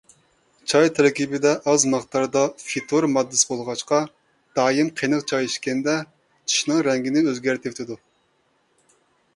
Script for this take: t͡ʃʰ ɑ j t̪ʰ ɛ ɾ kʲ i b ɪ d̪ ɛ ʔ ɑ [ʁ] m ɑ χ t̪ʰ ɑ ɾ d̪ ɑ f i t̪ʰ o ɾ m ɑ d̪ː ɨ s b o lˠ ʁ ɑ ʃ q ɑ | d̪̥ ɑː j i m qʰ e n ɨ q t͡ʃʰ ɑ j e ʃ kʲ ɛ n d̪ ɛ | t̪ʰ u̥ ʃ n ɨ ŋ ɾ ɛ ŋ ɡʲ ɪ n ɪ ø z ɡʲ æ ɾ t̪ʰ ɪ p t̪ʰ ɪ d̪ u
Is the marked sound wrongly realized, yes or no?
yes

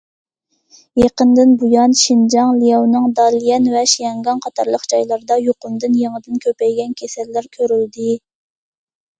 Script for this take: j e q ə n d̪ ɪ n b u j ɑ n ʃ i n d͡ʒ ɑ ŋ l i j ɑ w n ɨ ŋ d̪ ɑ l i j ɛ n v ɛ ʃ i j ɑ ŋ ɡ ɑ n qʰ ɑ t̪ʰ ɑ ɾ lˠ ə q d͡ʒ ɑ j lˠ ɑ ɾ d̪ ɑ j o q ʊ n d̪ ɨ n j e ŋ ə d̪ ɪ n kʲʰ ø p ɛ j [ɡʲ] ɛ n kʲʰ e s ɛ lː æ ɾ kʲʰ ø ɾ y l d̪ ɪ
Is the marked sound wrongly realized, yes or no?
no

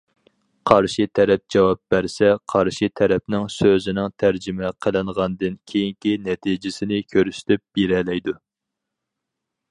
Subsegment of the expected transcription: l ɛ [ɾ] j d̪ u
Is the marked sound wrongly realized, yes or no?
yes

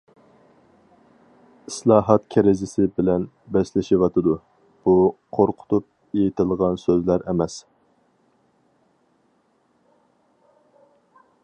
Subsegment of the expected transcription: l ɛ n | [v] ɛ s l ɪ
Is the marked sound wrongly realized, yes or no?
yes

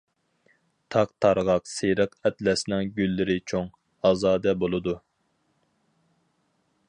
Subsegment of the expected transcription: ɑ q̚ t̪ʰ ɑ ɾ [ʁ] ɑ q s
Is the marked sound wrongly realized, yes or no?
no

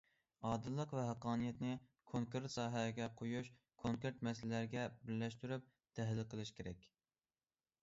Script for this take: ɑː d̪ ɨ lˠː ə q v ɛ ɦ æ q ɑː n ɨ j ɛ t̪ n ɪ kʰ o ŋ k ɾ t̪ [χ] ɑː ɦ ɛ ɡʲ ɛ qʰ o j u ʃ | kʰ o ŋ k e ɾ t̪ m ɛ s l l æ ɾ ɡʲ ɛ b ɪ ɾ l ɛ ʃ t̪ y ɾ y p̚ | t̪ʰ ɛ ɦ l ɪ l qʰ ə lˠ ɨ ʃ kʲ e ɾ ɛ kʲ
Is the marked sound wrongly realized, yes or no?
yes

